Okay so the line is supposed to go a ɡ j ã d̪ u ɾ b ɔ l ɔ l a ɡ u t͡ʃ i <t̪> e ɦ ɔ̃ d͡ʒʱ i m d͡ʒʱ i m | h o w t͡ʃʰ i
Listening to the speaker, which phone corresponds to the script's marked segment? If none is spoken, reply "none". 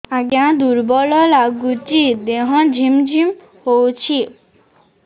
d̪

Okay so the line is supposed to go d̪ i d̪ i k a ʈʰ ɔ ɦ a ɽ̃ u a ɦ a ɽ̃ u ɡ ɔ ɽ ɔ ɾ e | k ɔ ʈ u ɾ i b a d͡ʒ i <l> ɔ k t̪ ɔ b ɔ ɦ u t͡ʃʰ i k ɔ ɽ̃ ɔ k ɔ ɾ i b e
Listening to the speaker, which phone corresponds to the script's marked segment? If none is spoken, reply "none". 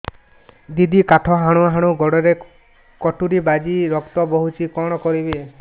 ɾ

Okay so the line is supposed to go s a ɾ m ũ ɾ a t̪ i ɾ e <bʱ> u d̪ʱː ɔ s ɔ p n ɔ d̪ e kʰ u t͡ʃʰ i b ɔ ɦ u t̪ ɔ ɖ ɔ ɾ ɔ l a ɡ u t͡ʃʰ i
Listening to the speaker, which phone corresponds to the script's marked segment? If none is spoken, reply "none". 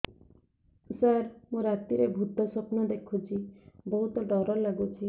bʱ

